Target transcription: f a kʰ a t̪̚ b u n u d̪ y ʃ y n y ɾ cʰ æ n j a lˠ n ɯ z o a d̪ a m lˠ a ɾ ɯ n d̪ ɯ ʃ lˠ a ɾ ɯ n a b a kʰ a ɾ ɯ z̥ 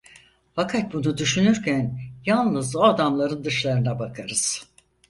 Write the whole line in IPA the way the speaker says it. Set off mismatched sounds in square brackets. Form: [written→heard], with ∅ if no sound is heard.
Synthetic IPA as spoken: f a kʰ a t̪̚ b u n u d̪ y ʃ y n y ɾ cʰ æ n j a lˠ n ɯ z o a d̪ a m lˠ a ɾ ɯ n d̪ ɯ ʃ lˠ a ɾ ɯ n a b a kʰ a ɾ ɯ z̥